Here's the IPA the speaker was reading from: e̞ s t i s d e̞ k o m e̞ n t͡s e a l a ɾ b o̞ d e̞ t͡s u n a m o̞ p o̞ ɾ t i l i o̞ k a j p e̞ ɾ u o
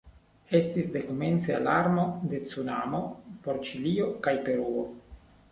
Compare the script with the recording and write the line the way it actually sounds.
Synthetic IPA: e̞ s t i s d e̞ k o m e̞ n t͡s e a l a ɾ m o̞ d e̞ t͡s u n a m o̞ p o̞ ɾ t͡ʃ i l i o̞ k a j p e̞ ɾ u o